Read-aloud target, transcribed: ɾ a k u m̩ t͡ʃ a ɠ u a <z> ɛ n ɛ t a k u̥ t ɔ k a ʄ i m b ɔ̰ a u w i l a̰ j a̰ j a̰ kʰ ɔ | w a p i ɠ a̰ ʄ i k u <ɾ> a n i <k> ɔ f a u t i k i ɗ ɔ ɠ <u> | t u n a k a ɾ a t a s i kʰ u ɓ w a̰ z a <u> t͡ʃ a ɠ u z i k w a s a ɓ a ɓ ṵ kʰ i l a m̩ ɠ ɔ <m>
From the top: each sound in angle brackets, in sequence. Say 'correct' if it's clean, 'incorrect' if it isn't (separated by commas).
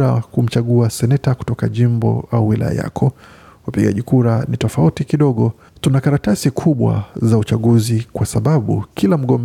incorrect, correct, incorrect, incorrect, correct, correct